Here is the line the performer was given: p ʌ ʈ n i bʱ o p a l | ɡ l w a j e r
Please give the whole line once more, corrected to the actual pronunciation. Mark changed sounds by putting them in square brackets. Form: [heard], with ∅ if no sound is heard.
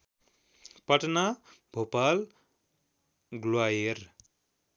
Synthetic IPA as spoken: p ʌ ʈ n [a] bʱ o p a l | ɡ l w a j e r